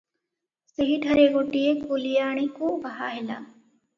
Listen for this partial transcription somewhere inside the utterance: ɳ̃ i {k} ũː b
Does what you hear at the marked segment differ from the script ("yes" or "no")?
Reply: no